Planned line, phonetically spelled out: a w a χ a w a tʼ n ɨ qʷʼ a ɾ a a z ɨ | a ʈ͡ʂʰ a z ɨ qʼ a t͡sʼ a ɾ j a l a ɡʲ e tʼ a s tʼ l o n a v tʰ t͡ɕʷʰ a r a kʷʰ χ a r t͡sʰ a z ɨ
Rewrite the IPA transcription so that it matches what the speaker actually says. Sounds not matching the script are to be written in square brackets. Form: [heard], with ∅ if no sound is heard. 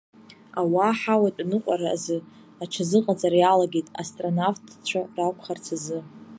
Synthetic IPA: a w a [ħ] a w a tʼ n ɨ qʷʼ a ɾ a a z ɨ | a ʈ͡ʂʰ a z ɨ qʼ a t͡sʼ a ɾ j a l a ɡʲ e tʼ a s tʼ [r] o n a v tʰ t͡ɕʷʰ a r a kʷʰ χ a r t͡sʰ a z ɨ